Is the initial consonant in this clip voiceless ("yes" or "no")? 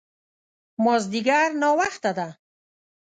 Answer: no